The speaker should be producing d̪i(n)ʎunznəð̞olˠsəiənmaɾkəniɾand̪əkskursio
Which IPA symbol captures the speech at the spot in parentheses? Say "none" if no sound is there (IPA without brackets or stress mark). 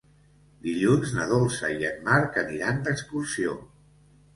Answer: none